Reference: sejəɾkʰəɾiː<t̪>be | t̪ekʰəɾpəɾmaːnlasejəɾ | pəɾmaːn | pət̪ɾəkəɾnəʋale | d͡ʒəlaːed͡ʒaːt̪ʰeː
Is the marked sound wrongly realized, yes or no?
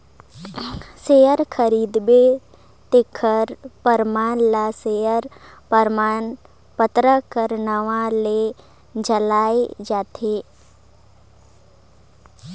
yes